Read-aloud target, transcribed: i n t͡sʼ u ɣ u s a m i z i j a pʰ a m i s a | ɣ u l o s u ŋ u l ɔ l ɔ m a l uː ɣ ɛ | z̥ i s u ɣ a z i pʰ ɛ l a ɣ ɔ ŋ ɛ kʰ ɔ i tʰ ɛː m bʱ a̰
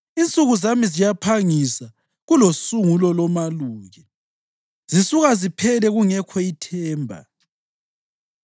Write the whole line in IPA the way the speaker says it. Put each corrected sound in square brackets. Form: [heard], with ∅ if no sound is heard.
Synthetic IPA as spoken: i n t͡sʼ u ɣ u [z] a m i z i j a pʰ a [ŋ] i s a | ɣ u l o s u ŋ u l ɔ l ɔ m a l uː ɣ ɛ | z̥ i s u ɣ a z i pʰ ɛ l [ɛ] ɣ [u] ŋ ɛ kʰ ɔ i tʰ ɛː m bʱ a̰